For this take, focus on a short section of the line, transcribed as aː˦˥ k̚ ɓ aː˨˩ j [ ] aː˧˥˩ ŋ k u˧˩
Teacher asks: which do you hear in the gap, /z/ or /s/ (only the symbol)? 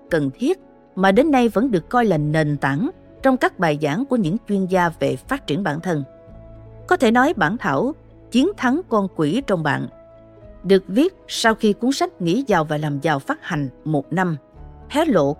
z